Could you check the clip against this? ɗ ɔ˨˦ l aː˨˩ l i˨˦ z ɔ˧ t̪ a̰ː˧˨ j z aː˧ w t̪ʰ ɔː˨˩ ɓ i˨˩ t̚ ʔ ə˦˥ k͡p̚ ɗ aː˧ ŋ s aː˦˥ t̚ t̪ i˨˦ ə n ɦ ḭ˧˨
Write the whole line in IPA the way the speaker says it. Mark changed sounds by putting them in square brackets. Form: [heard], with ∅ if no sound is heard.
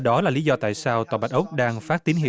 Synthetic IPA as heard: ɗ ɔ˨˦ l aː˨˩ l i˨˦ z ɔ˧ t̪ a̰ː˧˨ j [s] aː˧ w [t̪] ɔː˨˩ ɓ [a˨˩] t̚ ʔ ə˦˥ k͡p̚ ɗ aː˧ ŋ [f] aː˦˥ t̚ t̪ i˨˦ ə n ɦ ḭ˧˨